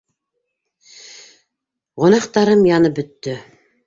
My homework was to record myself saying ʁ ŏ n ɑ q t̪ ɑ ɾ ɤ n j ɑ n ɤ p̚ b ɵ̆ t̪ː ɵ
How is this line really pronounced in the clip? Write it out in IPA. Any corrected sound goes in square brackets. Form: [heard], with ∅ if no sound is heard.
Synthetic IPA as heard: ʁ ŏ n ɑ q t̪ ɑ ɾ ɤ [m] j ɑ n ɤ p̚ b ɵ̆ t̪ː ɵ